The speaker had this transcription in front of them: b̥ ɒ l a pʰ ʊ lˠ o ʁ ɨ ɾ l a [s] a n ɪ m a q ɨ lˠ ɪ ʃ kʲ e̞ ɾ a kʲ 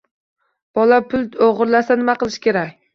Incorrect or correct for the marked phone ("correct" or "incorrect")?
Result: correct